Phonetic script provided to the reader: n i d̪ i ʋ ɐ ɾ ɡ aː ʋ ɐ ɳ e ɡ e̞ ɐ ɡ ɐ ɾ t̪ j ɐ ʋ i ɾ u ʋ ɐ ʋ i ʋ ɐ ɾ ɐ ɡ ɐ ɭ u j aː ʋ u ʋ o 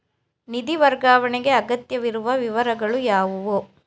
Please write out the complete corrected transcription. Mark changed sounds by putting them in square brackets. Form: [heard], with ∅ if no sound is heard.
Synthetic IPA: n i d̪ i ʋ ɐ ɾ ɡ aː ʋ ɐ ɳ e ɡ e̞ ɐ ɡ ɐ [∅] t̪ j ɐ ʋ i ɾ u ʋ ɐ ʋ i ʋ ɐ ɾ ɐ ɡ ɐ ɭ u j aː ʋ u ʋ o

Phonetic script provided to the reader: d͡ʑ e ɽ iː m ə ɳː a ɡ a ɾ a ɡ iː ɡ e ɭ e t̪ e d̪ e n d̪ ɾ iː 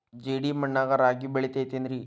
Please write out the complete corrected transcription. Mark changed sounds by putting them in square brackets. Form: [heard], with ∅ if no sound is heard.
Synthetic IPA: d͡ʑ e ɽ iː m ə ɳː a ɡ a ɾ a ɡ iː [b] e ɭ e t̪ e [t̪] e n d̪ ɾ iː

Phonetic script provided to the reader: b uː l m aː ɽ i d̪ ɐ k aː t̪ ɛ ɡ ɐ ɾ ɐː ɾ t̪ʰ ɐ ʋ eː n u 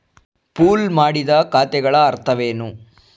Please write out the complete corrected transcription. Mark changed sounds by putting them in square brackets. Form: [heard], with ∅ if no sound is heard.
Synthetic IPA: [p] uː l m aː ɽ i d̪ ɐ k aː t̪ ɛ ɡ ɐ [ɭ] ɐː ɾ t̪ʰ ɐ ʋ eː n u

